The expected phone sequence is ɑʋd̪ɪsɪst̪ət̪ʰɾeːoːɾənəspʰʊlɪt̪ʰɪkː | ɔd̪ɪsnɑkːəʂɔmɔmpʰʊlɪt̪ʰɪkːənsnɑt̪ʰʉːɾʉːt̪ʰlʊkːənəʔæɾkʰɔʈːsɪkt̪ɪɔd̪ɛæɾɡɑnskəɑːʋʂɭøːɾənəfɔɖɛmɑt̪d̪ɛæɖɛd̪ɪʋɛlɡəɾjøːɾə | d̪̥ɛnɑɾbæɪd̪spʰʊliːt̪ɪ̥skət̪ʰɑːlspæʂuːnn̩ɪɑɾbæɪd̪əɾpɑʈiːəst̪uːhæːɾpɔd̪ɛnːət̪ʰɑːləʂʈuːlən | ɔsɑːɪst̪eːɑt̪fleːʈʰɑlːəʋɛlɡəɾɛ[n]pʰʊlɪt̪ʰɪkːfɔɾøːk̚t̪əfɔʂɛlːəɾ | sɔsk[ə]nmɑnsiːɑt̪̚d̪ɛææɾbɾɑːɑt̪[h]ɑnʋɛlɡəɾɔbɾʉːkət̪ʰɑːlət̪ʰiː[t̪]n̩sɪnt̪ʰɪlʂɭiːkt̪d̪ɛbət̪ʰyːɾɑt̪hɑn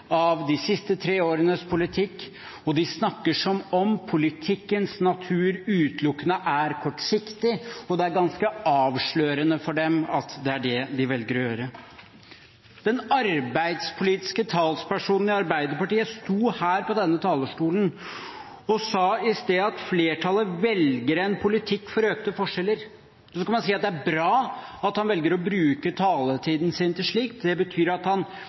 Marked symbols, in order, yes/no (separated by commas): yes, no, yes, no